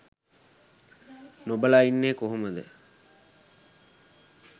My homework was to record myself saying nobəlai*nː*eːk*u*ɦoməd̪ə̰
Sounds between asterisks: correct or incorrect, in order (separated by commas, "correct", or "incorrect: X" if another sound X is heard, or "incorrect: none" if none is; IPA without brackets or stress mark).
correct, incorrect: o